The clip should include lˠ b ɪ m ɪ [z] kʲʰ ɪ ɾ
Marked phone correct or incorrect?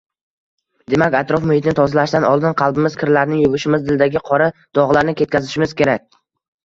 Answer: correct